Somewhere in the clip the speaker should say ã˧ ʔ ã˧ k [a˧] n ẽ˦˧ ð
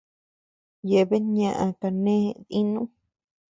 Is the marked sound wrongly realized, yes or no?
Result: no